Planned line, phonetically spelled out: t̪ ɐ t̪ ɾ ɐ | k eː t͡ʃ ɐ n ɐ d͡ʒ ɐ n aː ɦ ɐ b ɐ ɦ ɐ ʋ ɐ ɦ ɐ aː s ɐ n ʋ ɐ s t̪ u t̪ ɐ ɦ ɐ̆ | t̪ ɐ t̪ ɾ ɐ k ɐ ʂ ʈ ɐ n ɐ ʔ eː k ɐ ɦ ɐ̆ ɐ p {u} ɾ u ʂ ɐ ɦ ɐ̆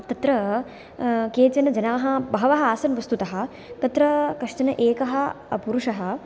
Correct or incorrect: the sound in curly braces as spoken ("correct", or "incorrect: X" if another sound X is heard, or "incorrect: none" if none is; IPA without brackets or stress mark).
correct